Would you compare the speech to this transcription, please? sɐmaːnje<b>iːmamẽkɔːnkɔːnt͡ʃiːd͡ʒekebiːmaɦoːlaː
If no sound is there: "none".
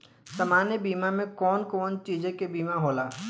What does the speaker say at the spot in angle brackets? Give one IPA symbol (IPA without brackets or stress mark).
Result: b